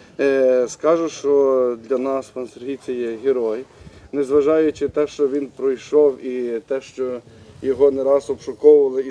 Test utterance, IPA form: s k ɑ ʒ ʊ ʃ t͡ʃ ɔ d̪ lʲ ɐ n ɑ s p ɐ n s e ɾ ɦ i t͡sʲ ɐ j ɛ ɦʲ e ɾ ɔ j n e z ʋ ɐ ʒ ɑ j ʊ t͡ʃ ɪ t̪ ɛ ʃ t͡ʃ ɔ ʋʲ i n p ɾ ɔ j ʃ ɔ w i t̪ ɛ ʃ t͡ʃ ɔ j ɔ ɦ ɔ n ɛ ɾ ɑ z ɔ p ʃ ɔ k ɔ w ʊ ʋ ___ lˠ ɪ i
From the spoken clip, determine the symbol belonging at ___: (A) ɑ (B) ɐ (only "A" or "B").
B